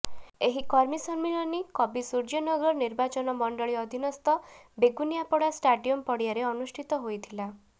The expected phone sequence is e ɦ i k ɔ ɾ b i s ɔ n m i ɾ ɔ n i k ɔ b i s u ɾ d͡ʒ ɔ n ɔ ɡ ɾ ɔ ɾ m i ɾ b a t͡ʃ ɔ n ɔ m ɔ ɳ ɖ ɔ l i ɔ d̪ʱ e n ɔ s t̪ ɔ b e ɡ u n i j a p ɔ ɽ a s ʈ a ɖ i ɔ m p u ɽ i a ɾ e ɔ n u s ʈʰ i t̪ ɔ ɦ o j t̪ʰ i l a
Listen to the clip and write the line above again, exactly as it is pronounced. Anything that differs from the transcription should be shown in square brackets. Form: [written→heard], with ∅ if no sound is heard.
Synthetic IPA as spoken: e ɦ i k ɔ ɾ [b→m] i s ɔ n m i [ɾ→ɭ] ɔ n i k ɔ b i s u ɾ d͡ʒ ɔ n ɔ ɡ ɾ ɔ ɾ [m→n] i ɾ b a t͡ʃ ɔ n ɔ m ɔ ɳ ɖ ɔ [l→ɭ] i ɔ d̪ʱ [e→i] n ɔ s t̪ ɔ b e ɡ u n i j a p ɔ ɽ a s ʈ a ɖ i ɔ m p [u→ɔ] ɽ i a ɾ e ɔ n u s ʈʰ i t̪ ɔ ɦ o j t̪ʰ i l a